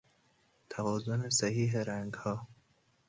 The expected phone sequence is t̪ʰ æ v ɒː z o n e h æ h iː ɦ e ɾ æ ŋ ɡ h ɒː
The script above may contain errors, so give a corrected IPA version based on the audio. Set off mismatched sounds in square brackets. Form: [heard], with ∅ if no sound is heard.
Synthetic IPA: t̪ʰ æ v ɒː z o n e [s] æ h iː ɦ e ɾ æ ŋ ɡ h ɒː